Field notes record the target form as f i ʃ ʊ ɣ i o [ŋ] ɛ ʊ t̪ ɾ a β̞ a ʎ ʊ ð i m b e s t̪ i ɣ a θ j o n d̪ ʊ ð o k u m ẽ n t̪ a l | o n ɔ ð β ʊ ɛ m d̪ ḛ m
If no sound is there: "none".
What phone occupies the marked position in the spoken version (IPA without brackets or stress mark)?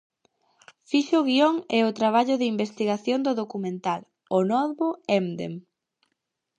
ŋ